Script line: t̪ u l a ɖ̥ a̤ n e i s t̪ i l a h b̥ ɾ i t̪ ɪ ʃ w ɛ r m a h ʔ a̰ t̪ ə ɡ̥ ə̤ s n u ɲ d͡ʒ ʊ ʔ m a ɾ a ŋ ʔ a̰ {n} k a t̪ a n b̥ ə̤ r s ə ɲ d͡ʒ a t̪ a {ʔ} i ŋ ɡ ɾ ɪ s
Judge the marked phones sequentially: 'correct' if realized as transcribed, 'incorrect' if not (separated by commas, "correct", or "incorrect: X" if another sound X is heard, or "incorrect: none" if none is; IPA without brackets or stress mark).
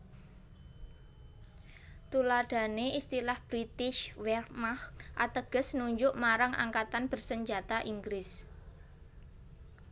incorrect: ŋ, correct